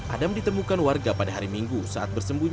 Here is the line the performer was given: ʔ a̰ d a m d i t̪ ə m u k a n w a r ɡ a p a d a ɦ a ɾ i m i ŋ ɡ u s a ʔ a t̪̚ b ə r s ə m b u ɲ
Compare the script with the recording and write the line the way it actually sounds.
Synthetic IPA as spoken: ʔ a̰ d a m d i t̪ ə m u k a n w a r ɡ a p a d a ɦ a ɾ i m i ŋ ɡ u s a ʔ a t̪̚ b ə r s ə m b u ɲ